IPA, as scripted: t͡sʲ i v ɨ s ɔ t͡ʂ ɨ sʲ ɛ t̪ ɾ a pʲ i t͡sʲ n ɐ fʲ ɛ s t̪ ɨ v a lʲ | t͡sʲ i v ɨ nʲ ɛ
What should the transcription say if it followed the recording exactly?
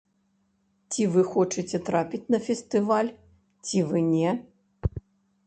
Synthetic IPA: t͡sʲ i v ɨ x ɔ t͡ʂ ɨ t͡sʲ ɛ t̪ ɾ a pʲ i t͡sʲ n ɐ fʲ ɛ s t̪ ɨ v a lʲ | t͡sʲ i v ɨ nʲ ɛ